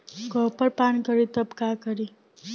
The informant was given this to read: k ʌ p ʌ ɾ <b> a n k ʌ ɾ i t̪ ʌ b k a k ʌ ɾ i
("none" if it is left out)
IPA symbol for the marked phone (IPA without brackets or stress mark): p